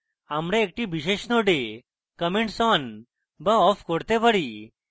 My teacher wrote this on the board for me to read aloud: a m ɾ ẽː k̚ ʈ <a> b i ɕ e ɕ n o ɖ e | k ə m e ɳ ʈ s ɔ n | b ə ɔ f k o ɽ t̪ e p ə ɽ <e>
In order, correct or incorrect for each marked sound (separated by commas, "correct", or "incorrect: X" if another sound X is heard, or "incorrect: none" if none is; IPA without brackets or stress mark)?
incorrect: i, incorrect: i